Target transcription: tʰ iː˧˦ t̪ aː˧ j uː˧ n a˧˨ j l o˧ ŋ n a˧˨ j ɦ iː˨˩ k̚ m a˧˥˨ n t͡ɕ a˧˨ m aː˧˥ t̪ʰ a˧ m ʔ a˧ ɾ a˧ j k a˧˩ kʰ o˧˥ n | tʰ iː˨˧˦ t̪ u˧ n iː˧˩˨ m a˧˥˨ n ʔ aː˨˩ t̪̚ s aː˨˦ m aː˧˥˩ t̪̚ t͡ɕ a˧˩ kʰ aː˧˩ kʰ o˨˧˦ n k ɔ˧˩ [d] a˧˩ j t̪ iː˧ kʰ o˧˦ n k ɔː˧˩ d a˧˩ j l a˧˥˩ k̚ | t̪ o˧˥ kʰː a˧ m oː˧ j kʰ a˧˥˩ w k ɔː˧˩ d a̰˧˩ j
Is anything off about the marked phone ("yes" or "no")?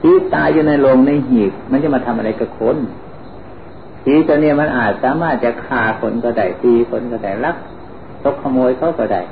no